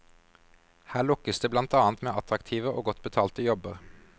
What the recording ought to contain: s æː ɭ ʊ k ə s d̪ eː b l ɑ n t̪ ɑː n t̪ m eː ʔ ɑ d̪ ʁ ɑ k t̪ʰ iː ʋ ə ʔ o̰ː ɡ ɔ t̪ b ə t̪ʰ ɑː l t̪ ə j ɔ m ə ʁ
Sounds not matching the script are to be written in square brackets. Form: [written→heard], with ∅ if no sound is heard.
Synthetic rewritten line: [s→h] æː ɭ ʊ k ə s d̪ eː b l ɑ n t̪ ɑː n t̪ m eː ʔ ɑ [d̪→t̪] ʁ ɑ k t̪ʰ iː ʋ ə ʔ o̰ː ɡ ɔ t̪ b ə t̪ʰ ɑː l t̪ ə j ɔ [m→b] ə ʁ